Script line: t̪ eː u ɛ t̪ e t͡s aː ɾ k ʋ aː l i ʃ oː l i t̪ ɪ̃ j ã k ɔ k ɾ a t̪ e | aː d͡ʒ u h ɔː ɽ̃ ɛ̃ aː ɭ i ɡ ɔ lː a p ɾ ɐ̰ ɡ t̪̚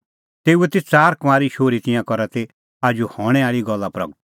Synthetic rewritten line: t̪ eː u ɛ t̪ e t͡s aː ɾ k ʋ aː ɾ i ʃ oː ɾ i t̪ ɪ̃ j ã k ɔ ɾ a t̪ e | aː d͡ʒ u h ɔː ɽ̃ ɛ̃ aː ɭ i ɡ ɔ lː a p ɾ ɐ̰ ɡ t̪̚